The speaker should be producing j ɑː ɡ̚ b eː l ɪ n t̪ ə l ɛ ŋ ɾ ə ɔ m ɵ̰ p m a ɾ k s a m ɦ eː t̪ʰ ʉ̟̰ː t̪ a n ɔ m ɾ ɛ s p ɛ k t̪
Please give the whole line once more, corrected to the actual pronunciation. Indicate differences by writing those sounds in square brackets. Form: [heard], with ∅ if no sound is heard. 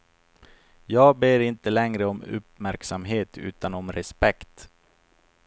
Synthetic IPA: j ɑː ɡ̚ b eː [ɾ] ɪ n t̪ ə l ɛ ŋ ɾ ə ɔ m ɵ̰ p m [æ] ɾ k s a m ɦ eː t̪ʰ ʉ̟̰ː t̪ a n ɔ m ɾ ɛ s p ɛ k t̪